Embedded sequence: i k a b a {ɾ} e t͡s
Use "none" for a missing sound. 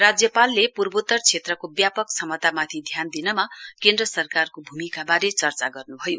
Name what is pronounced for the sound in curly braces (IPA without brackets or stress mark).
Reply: ɾ